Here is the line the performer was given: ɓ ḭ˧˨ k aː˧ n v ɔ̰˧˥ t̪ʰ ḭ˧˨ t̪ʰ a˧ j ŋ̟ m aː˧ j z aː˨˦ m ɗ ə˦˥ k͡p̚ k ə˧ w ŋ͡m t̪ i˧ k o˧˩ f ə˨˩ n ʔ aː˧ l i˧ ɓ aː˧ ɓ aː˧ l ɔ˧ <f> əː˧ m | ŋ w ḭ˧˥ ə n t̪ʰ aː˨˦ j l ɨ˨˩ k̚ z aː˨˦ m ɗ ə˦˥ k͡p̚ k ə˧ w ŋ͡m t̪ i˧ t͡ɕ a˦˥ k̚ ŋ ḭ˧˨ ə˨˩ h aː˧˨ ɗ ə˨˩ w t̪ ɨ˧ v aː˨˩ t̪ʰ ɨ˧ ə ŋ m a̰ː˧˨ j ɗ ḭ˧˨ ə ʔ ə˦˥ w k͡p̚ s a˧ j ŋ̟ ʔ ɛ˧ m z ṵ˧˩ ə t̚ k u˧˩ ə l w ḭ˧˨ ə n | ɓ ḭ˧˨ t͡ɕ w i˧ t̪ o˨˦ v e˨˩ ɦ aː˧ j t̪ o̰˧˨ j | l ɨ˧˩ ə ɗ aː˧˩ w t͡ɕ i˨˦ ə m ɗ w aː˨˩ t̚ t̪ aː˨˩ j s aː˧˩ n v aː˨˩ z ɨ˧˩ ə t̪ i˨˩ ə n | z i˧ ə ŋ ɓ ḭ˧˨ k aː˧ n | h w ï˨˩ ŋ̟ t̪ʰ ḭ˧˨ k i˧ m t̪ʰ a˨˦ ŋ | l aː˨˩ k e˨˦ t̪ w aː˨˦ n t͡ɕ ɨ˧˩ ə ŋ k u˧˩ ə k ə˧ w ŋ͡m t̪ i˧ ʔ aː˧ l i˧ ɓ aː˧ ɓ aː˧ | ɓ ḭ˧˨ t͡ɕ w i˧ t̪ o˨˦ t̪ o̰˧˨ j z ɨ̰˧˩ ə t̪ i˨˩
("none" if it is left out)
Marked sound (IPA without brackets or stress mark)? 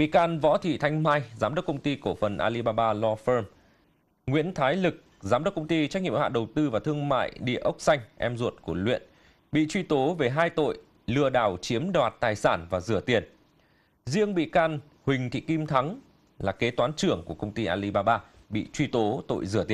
f